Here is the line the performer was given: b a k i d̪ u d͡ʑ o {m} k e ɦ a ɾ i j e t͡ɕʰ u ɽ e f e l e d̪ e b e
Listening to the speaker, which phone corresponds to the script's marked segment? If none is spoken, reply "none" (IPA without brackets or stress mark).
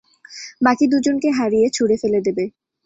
n